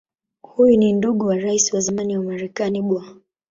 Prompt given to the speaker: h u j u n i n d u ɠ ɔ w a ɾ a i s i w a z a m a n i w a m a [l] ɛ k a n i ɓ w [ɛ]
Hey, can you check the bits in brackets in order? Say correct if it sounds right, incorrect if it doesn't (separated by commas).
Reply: incorrect, incorrect